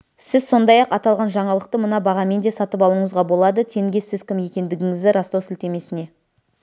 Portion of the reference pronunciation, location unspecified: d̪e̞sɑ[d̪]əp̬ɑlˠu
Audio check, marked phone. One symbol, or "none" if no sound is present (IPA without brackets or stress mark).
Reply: t̪